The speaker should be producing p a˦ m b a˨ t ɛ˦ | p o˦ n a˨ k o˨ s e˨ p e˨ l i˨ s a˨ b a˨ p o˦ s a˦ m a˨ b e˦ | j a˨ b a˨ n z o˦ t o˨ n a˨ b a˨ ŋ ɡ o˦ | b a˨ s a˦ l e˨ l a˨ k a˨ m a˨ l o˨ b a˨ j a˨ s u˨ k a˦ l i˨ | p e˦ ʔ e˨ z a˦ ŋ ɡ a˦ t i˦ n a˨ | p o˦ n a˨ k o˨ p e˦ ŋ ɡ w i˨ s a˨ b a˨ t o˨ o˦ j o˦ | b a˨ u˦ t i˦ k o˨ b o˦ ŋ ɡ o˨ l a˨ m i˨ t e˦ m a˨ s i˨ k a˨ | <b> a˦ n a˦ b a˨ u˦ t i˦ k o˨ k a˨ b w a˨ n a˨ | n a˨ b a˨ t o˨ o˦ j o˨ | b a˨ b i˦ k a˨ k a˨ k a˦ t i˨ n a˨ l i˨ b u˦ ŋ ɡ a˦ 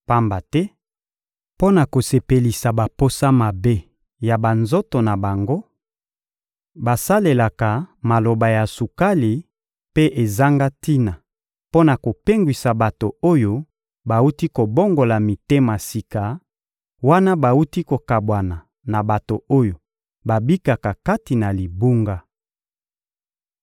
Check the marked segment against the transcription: incorrect: w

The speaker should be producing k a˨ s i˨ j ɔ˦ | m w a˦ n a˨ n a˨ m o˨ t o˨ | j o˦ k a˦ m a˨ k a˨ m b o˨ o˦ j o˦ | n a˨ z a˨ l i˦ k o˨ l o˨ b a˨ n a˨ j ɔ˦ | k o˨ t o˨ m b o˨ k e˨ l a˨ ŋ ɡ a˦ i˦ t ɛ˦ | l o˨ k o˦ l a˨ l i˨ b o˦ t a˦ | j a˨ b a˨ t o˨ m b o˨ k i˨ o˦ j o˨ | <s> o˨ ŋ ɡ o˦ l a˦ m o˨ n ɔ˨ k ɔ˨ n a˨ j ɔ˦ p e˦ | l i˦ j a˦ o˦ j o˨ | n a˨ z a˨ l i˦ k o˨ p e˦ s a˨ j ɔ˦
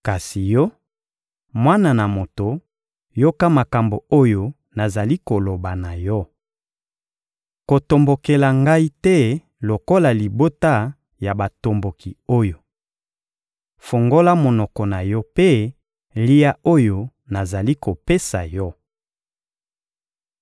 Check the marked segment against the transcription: incorrect: f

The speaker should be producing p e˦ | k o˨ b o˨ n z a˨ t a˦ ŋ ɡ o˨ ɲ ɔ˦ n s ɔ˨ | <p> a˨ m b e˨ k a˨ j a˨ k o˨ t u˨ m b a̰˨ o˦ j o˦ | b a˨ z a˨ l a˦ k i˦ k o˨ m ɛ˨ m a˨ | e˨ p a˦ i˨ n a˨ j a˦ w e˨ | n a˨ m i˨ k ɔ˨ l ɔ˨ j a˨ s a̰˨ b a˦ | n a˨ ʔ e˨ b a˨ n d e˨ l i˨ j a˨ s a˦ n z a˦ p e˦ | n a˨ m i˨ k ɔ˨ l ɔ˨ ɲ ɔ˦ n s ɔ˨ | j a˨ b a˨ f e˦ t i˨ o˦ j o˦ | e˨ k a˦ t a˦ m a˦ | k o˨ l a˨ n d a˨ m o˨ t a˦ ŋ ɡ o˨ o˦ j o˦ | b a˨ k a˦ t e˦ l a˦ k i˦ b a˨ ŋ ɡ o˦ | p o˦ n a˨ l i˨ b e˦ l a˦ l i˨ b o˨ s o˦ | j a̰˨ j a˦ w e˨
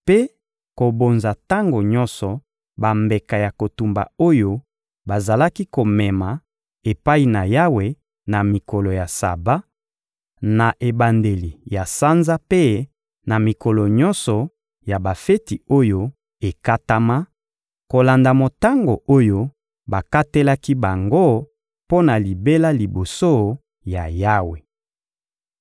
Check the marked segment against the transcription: incorrect: b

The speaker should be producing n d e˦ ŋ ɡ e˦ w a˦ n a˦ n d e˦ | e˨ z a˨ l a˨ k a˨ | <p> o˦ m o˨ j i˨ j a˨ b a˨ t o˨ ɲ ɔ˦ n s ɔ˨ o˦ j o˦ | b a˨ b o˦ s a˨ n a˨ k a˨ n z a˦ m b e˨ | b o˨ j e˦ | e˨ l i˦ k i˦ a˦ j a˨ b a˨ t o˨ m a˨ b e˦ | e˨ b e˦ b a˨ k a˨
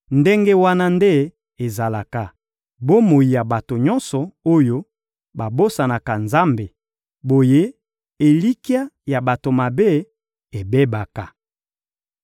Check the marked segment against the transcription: incorrect: b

